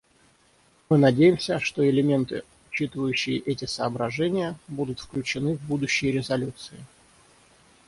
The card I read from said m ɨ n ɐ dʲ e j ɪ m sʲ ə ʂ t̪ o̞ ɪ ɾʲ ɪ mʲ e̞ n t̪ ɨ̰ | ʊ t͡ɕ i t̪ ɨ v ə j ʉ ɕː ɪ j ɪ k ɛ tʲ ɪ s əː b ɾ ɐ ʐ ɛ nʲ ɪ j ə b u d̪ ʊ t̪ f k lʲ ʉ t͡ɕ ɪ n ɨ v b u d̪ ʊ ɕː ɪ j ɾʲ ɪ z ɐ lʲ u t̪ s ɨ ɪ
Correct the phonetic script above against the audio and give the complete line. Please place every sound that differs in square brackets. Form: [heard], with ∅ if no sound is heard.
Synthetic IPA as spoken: m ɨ n ɐ dʲ e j ɪ m sʲ ə ʂ t̪ o̞ ɪ [lʲ] ɪ mʲ e̞ n t̪ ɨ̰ | ʊ t͡ɕ i t̪ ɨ v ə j ʉ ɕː ɪ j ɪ [ʔ] ɛ tʲ ɪ s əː b ɾ ɐ ʐ ɛ nʲ ɪ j ə b u d̪ ʊ t̪ f k lʲ ʉ t͡ɕ ɪ n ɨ v b u d̪ ʊ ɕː ɪ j ɾʲ ɪ z ɐ lʲ u t̪ s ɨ ɪ